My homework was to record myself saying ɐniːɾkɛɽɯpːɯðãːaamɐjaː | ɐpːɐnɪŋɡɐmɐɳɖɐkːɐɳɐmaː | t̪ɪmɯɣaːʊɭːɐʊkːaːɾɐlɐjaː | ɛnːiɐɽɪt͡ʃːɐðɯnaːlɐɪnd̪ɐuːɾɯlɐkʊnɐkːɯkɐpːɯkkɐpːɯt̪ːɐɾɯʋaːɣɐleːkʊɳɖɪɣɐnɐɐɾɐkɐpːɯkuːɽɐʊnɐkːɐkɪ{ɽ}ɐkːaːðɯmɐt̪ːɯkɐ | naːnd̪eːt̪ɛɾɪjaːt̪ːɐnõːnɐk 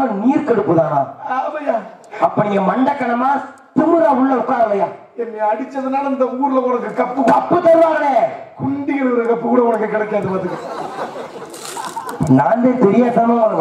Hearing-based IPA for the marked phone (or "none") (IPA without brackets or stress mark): ɽ